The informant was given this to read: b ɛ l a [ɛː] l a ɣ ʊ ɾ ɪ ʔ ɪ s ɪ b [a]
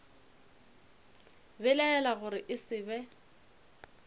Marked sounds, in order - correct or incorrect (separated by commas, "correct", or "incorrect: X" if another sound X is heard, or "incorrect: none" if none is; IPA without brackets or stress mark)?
incorrect: ɛ, incorrect: ɛ